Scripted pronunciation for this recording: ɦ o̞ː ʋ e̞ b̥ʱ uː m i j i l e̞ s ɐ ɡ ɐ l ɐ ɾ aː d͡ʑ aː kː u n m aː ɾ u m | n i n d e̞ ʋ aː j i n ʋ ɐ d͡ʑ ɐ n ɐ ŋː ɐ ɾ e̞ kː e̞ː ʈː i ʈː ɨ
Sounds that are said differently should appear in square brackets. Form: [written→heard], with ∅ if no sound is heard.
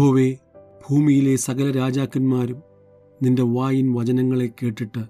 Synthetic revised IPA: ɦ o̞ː ʋ e̞ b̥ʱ uː m i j i l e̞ s ɐ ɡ ɐ l ɐ ɾ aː d͡ʑ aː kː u n m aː ɾ u m | n i n d e̞ ʋ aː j i n ʋ ɐ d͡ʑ ɐ n ɐ ŋː ɐ [ɾ→ɭ] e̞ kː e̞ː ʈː i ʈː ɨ